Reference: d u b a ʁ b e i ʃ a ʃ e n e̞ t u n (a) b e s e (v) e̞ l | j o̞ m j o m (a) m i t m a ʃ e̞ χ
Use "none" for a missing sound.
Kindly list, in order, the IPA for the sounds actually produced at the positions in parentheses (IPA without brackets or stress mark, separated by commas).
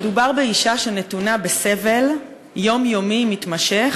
a, v, i